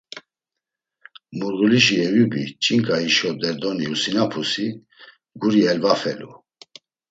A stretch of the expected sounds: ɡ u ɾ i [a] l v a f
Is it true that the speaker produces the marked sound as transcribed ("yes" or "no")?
no